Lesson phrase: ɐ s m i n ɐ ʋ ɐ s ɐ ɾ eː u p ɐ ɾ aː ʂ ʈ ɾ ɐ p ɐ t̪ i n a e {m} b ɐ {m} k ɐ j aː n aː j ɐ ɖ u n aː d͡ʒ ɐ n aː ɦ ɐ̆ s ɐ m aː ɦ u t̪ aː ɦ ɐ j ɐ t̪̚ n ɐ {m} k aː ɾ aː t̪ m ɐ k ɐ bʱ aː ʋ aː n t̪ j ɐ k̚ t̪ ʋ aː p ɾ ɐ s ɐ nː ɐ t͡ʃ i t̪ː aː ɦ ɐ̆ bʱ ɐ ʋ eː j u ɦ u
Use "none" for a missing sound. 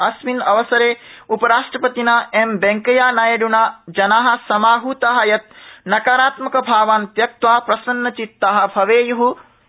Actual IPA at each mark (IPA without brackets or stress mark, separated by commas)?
m, ŋ, none